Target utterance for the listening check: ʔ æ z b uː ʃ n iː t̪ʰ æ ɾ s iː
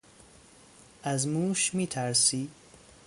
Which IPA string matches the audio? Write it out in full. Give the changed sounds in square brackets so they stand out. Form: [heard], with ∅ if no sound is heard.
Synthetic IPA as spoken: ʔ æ z [m] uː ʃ [m] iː t̪ʰ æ ɾ s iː